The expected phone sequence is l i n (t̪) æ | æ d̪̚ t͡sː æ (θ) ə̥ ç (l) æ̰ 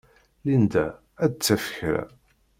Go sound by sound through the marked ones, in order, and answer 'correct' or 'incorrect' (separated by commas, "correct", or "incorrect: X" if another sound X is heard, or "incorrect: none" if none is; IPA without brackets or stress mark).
incorrect: d̪, incorrect: f, incorrect: ɾ